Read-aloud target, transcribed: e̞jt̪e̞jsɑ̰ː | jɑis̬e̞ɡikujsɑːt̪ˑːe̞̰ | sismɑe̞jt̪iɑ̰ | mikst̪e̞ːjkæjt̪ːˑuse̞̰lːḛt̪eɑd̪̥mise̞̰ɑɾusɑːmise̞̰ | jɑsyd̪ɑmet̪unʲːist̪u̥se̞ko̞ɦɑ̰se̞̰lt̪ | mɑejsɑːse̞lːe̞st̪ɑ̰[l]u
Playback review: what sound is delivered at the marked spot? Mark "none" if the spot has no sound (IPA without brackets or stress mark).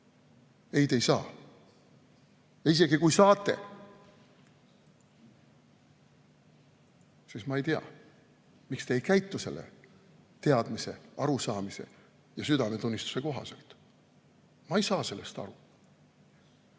ɾ